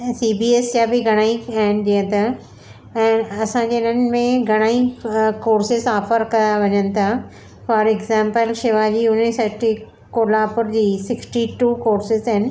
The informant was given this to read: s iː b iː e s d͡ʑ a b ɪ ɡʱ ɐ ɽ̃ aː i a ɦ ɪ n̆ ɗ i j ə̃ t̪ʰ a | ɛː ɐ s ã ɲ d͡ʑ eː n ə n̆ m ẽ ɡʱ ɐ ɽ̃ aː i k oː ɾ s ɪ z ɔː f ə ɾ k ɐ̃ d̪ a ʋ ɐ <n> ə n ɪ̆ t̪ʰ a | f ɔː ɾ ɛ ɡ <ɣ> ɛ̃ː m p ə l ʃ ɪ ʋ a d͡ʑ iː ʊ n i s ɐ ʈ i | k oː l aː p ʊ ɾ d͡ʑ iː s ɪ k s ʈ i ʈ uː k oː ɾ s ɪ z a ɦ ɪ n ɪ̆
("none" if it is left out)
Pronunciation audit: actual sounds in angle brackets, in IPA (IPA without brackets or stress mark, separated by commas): ɲ, z